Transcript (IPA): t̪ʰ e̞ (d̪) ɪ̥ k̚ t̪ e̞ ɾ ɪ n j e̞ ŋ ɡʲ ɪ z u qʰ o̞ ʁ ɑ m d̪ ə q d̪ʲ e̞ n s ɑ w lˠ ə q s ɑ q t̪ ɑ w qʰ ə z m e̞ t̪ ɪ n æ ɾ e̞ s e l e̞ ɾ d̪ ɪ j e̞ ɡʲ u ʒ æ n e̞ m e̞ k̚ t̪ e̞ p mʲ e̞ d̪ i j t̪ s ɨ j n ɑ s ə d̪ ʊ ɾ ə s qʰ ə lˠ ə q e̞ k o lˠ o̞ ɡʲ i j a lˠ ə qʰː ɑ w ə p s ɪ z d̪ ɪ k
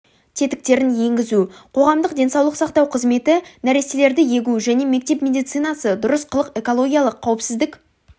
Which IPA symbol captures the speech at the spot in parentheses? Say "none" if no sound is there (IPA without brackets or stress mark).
t̪